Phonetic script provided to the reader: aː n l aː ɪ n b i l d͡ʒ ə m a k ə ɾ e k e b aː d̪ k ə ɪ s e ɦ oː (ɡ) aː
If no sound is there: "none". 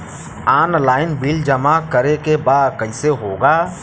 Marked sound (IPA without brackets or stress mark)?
ɡ